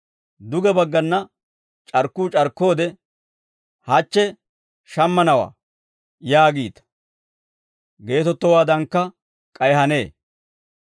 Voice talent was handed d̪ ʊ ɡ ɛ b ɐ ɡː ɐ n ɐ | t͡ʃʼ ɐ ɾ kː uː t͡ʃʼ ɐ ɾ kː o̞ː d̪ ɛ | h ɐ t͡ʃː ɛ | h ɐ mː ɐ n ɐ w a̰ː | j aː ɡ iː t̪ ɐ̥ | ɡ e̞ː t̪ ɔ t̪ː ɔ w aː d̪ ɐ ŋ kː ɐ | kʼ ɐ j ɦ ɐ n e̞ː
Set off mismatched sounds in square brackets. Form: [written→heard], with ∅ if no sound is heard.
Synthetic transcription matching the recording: d̪ ʊ ɡ ɛ b ɐ ɡː ɐ [n→nː] ɐ | t͡ʃʼ ɐ ɾ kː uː t͡ʃʼ ɐ ɾ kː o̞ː d̪ ɛ | h ɐ t͡ʃː ɛ | [h→ʃ] ɐ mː ɐ n ɐ w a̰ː | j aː ɡ iː t̪ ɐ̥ | ɡ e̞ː t̪ ɔ t̪ː ɔ w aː d̪ ɐ ŋ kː ɐ | kʼ ɐ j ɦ ɐ n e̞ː